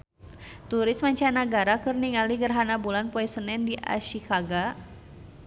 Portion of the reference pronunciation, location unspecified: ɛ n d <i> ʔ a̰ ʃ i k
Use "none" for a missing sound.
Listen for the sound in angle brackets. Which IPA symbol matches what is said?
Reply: i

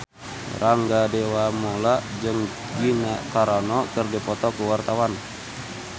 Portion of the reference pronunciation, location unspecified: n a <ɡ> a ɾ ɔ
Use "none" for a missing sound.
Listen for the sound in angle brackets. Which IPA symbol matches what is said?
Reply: k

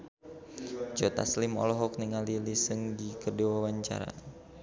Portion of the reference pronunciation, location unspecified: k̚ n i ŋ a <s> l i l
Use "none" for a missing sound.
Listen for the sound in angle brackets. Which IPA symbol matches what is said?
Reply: none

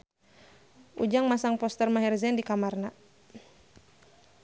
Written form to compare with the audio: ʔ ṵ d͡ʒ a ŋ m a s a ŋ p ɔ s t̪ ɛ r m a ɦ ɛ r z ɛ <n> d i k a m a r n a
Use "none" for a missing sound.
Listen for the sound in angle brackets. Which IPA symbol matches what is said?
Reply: n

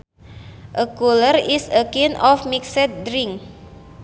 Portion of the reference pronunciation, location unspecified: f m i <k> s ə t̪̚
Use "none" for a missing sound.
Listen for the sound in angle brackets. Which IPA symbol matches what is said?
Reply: k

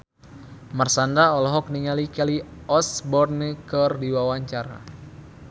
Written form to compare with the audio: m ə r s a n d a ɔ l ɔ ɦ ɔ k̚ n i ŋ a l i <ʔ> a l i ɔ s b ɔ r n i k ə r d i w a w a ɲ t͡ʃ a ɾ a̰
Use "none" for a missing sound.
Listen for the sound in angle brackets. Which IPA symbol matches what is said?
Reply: k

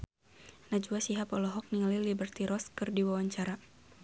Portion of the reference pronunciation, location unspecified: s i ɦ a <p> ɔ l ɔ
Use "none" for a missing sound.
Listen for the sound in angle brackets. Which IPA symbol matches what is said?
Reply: p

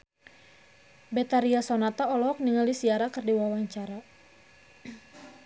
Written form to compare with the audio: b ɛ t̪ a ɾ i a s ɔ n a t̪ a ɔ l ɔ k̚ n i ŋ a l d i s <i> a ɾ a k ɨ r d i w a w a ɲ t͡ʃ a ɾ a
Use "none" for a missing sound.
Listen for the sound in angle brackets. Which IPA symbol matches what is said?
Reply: i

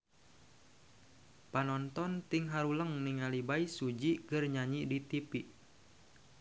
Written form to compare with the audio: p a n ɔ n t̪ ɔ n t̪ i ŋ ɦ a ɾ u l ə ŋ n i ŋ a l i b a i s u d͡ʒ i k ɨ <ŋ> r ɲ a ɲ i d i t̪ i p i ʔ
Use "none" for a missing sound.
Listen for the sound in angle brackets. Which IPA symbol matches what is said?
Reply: none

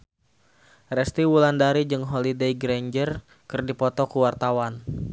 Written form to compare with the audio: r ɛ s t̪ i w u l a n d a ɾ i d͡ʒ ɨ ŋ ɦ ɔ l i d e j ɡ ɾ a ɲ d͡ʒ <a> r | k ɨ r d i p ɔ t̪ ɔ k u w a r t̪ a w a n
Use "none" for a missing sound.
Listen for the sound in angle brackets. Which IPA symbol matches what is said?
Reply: ə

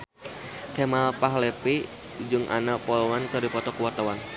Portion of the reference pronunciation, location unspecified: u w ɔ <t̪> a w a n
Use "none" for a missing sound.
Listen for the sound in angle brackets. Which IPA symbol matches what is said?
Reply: t̪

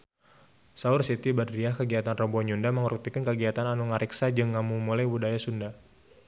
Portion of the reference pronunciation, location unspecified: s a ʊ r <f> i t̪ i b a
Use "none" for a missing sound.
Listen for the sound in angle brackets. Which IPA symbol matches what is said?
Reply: s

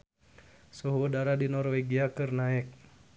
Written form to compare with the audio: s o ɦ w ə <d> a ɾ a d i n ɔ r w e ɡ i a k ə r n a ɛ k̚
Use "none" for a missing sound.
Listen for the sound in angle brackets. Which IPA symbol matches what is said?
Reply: d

